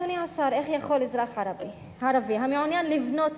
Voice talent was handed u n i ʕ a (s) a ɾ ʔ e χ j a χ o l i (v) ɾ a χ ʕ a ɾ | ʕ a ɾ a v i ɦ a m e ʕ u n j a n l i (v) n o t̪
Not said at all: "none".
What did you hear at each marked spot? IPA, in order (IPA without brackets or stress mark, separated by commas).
s, z, v